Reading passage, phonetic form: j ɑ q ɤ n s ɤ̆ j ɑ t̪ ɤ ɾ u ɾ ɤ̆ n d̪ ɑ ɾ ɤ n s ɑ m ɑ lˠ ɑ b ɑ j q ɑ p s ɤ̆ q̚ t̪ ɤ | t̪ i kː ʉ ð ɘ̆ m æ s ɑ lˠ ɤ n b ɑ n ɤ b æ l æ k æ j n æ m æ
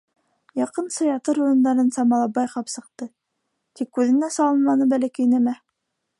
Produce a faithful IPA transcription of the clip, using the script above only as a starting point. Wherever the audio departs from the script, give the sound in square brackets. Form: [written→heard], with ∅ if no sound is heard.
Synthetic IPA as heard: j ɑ q ɤ n s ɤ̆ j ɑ t̪ ɤ ɾ u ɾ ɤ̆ n d̪ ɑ ɾ ɤ n s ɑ m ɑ lˠ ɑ b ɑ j q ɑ p s ɤ̆ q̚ t̪ ɤ | t̪ i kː ʉ ð ɘ̆ [m→n] æ s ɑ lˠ ɤ n [b→m] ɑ n ɤ b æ l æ k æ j n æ m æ